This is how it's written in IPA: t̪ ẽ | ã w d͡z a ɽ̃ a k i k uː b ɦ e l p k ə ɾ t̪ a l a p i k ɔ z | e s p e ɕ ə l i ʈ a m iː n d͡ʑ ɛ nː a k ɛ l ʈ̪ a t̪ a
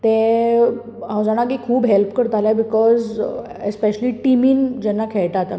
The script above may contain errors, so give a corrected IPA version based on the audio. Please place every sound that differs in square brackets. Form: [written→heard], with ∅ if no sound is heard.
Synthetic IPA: t̪ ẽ | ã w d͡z a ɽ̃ a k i [k→kʰ] uː b ɦ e l p k ə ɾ t̪ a l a [p→b] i k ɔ z | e s p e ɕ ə l i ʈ [a→i] m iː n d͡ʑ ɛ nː a [k→kʰ] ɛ [l→ɭ] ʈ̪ a t̪ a

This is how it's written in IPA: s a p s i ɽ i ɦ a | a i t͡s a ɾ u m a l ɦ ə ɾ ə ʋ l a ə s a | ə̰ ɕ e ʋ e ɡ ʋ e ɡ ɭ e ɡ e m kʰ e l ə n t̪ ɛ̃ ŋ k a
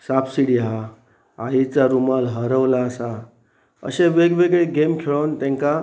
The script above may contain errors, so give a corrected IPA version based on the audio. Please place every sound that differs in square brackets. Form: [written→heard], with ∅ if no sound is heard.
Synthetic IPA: s a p s i ɽ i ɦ a | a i t͡s a ɾ u m a l ɦ ə ɾ ə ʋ l a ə s a | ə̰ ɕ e ʋ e ɡ ʋ e ɡ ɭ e ɡ e m kʰ e [l→ɭ] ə n t̪ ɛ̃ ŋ k a

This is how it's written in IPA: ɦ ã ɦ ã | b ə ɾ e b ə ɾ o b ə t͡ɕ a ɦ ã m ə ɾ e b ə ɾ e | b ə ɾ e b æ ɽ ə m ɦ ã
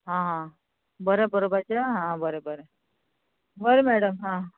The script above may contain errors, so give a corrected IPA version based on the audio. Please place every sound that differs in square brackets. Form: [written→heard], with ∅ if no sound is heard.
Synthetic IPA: ɦ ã ɦ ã | b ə ɾ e b ə ɾ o b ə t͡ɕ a ɦ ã [m→b] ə ɾ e b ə ɾ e | b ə ɾ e [b→m] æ ɽ ə m ɦ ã

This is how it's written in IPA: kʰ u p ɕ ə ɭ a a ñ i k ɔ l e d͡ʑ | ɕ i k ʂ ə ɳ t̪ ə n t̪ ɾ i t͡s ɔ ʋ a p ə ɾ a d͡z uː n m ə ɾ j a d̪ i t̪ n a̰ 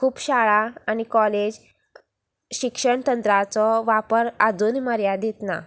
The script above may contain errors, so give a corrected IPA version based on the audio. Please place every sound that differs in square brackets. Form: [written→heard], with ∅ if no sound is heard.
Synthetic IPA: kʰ [u→uː] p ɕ [ə→a] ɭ a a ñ i k ɔ l e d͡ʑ | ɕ i k ʂ ə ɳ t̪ ə n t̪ ɾ [i→a] t͡s ɔ ʋ a p ə ɾ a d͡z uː n m ə ɾ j a d̪ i t̪ n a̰

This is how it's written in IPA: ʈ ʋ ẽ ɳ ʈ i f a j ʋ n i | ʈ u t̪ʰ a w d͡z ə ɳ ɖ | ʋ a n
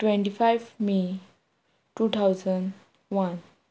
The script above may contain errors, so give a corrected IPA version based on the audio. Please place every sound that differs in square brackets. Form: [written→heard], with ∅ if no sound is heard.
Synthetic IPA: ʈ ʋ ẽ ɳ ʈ i f a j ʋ [n→m] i | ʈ u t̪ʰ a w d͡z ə ɳ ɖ | ʋ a n

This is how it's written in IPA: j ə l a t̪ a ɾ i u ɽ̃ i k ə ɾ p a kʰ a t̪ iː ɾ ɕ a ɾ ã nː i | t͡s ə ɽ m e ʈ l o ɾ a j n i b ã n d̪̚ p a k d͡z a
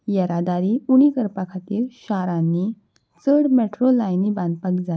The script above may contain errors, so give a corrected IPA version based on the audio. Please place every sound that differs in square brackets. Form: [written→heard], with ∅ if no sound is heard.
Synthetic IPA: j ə [l→ɾ] a [t̪→d̪] a ɾ i u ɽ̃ i k ə ɾ p a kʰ a t̪ iː ɾ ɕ a ɾ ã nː i | t͡s ə ɽ m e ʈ [l→ɾ] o [ɾ→l] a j n i b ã n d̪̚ p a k d͡z a

